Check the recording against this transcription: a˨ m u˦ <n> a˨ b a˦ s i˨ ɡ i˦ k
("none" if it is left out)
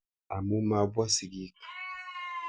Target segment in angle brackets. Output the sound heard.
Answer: m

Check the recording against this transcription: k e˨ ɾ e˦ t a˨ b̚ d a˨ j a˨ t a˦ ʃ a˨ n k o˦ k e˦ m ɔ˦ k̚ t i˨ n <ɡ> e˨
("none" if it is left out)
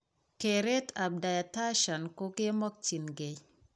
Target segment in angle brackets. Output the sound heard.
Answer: ɡ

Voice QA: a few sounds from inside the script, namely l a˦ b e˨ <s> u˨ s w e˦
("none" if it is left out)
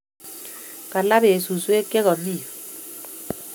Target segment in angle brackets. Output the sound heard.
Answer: s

